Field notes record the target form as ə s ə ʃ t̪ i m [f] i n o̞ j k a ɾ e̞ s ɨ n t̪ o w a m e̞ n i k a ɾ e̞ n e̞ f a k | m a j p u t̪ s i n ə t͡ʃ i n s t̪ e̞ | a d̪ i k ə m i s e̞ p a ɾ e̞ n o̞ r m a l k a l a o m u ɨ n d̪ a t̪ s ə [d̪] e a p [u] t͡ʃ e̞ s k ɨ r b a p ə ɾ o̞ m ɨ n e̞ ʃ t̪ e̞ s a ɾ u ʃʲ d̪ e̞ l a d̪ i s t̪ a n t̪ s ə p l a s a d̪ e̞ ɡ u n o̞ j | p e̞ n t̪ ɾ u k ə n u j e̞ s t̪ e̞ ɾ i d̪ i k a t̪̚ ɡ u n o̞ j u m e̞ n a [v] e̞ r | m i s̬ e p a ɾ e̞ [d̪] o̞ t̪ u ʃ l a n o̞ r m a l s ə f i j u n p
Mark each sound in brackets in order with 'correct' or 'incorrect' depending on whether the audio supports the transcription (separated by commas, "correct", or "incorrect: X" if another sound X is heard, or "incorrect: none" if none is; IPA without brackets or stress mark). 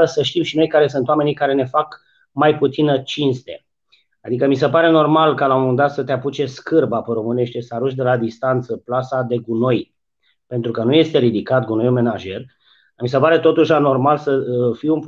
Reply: incorrect: ʃ, incorrect: t̪, correct, incorrect: ʒ, incorrect: t̪